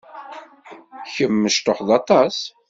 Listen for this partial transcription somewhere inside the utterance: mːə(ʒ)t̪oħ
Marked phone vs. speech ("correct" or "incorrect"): incorrect